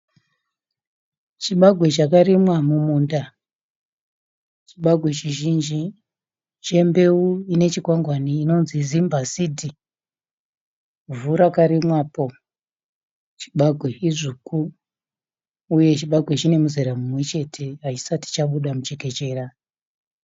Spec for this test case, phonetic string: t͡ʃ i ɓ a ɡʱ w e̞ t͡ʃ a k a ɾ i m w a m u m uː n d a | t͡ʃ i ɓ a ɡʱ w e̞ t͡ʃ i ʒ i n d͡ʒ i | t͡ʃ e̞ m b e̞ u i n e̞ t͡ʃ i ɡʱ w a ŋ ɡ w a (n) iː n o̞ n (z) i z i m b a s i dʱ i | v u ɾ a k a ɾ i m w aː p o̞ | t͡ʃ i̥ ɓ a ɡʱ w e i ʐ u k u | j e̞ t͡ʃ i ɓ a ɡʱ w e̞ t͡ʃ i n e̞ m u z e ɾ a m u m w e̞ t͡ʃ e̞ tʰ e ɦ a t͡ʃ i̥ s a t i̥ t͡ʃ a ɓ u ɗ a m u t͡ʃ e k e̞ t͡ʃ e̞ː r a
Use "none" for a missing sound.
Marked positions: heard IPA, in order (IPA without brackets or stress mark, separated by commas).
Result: n, z